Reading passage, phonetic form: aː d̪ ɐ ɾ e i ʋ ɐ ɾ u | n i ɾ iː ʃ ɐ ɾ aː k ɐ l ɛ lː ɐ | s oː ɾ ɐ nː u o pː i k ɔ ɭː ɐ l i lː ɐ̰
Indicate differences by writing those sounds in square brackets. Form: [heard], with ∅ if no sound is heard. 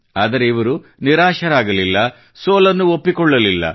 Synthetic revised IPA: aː d̪ ɐ ɾ e i ʋ ɐ ɾ u | n i ɾ [aː] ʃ ɐ ɾ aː [ɡ] ɐ l [i] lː ɐ | s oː [l] ɐ nː u o pː i k ɔ ɭː ɐ l i lː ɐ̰